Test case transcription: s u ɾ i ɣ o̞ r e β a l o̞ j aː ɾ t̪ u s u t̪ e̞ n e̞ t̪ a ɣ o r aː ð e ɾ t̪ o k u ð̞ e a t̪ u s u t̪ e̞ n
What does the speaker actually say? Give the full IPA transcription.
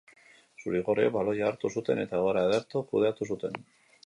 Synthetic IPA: s u ɾ i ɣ o̞ r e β a l o̞ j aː ɾ t̪ u s u t̪ e̞ n e̞ t̪ a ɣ o ɾ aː ð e ɾ t̪ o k u ð̞ e a t̪ u s u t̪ e̞ n

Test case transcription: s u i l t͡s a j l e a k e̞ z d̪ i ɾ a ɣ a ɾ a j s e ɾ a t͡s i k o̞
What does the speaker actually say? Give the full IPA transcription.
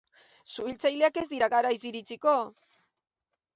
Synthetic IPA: s u i l t͡s a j l e a k e̞ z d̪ i ɾ a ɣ a ɾ a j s i ɾ i t͡s i k o̞

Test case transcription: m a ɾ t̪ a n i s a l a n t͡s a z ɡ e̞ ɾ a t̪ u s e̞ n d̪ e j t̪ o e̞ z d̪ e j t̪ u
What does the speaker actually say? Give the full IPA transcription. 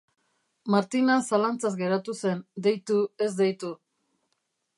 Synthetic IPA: m a ɾ t̪ i n a s a l a n t͡s a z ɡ e̞ ɾ a t̪ u s e̞ n d̪ e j t̪ u e̞ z d̪ e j t̪ u

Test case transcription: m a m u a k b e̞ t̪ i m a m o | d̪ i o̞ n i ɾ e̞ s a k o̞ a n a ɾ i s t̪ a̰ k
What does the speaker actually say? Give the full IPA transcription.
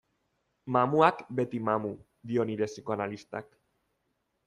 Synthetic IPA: m a m u a k b e̞ t̪ i m a m u | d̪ i o̞ n i ɾ e̞ s i k o̞ a n a l i s t̪ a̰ k

